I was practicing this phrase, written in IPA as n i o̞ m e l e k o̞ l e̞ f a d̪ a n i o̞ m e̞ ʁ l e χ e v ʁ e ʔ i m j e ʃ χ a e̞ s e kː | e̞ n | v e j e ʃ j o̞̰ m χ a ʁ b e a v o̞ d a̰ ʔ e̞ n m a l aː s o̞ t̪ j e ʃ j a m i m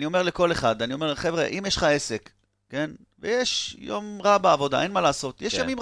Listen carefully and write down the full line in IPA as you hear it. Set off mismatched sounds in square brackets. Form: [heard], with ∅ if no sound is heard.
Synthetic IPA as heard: n i o̞ m e l e k o̞ l e̞ [χ] a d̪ a n i o̞ m e̞ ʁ l e χ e v ʁ e ʔ i m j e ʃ χ a e̞ s e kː | e̞ n | v e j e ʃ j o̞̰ m [ʁ] a [∅] b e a v o̞ d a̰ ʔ e̞ n m a l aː s o̞ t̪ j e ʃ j a m i m